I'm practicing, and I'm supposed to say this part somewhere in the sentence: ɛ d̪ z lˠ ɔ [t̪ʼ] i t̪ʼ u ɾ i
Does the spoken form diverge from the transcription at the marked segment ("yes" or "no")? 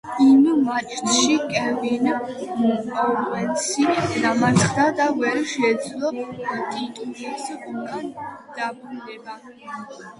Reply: no